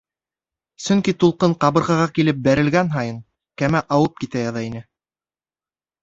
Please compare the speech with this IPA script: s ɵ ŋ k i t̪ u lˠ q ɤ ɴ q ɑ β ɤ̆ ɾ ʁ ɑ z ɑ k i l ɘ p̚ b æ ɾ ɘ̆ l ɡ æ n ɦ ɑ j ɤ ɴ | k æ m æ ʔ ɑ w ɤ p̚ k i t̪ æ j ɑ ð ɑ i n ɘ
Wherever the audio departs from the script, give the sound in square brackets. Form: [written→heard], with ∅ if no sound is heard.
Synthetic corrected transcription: s ɵ ŋ k i t̪ u lˠ q ɤ ɴ q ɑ β ɤ̆ ɾ ʁ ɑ [z→ʁ] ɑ k i l ɘ p̚ b æ ɾ ɘ̆ l ɡ æ n ɦ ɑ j ɤ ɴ | k æ m æ ʔ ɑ w ɤ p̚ k i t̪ æ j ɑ ð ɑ i n ɘ